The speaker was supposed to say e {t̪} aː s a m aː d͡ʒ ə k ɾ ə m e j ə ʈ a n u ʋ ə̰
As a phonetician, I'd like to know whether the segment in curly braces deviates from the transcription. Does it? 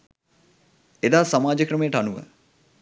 yes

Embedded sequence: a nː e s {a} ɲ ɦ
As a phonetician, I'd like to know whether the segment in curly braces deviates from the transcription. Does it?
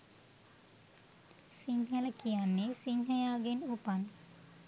yes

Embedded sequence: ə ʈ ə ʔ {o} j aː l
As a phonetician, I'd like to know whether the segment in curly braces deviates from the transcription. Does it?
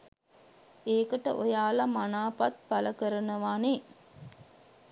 no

